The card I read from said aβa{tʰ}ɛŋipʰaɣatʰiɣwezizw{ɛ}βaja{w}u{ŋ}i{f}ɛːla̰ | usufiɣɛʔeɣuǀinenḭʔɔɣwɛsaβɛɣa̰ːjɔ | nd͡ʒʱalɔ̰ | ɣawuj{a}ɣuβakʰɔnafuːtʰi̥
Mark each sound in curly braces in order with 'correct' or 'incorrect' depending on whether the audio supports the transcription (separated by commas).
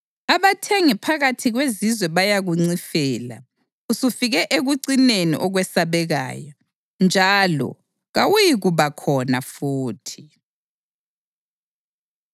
correct, correct, incorrect, incorrect, correct, incorrect